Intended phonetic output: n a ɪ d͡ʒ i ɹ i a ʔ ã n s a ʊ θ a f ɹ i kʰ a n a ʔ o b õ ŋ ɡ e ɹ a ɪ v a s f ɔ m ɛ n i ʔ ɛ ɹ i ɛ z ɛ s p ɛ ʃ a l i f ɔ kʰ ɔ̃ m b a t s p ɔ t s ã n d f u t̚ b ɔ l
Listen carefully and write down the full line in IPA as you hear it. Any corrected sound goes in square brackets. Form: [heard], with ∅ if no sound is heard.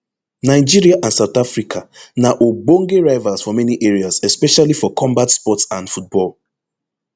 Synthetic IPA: n a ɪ d͡ʒ i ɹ i a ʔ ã n s a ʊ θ a f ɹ i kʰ a n a ʔ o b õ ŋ ɡ e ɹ a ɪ v a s f ɔ m ɛ n i ʔ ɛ ɹ i [a] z ɛ s p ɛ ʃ a l i f ɔ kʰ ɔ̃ m b a t s p ɔ t s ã n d f u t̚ b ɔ l